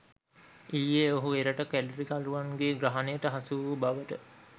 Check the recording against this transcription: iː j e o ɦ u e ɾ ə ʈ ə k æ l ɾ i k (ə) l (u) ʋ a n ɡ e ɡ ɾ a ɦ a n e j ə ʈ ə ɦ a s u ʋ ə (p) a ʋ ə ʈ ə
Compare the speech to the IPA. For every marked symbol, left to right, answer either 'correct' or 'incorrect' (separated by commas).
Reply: incorrect, correct, incorrect